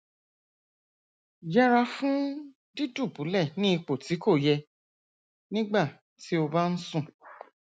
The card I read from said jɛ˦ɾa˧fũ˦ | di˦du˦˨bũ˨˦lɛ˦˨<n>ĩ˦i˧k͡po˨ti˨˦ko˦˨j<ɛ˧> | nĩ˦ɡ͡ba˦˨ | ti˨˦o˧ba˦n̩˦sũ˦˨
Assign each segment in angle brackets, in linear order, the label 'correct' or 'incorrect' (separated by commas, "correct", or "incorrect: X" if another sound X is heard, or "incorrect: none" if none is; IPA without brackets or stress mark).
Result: correct, correct